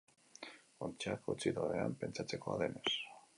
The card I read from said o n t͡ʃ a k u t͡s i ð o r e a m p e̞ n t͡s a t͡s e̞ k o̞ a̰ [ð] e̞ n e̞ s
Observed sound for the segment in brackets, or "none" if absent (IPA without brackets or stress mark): ð